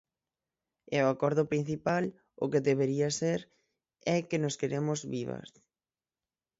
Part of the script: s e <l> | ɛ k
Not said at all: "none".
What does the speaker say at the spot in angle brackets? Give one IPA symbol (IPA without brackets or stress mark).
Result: ɾ